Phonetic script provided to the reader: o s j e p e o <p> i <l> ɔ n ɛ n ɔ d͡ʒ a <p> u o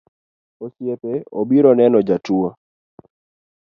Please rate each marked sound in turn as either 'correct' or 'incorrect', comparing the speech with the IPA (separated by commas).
incorrect, incorrect, incorrect